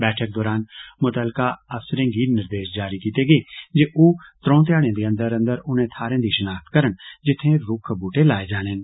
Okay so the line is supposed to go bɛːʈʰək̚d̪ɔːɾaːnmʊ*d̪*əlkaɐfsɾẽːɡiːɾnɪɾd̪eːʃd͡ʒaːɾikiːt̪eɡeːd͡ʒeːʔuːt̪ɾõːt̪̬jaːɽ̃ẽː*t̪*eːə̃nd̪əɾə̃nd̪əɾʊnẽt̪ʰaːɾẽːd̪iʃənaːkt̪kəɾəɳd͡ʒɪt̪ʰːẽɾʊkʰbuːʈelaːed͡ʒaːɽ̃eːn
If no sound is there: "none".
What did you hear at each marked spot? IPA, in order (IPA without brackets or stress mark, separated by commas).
t̪, d̪